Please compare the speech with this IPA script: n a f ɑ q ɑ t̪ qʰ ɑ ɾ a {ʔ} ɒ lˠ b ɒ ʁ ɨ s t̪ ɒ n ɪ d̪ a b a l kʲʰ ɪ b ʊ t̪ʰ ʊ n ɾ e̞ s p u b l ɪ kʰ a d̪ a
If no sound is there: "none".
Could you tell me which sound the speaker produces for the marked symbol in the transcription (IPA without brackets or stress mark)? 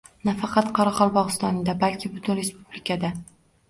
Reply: q